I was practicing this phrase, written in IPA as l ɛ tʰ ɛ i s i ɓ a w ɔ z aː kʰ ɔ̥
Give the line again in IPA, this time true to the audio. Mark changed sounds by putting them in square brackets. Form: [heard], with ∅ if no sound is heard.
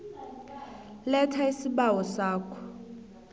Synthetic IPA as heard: l ɛ tʰ [a] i s i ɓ a w ɔ [s] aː kʰ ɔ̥